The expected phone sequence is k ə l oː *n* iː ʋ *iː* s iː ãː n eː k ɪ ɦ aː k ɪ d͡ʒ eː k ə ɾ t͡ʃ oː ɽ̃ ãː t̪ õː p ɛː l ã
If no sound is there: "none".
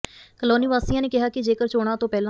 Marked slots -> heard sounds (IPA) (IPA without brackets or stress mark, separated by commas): n, aː